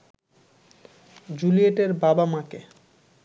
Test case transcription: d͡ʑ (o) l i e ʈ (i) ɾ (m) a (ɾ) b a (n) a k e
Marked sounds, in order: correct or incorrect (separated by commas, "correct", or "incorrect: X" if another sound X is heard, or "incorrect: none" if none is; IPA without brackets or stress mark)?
incorrect: u, incorrect: e, incorrect: b, incorrect: none, incorrect: m